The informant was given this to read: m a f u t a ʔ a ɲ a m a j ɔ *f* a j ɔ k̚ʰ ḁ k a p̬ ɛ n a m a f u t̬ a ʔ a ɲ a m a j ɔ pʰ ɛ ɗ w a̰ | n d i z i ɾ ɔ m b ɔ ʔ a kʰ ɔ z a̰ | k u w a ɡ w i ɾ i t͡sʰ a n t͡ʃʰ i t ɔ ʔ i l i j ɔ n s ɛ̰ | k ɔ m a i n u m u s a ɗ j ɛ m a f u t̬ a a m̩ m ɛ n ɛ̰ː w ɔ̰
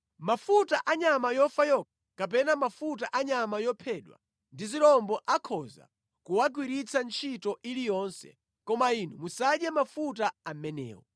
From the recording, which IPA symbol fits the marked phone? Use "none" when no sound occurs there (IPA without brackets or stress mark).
f